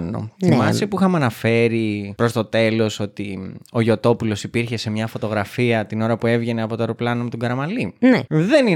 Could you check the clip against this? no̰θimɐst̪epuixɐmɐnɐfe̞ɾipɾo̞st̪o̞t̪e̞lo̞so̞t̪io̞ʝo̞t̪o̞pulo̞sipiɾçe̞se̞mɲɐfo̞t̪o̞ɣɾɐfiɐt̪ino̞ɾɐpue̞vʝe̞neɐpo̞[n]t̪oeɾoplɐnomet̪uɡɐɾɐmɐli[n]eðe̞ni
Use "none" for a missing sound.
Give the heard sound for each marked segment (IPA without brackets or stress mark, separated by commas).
none, n